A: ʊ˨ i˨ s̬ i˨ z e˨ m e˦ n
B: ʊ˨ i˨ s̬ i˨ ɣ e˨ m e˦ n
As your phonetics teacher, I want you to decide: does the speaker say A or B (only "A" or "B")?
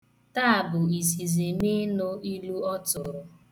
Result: A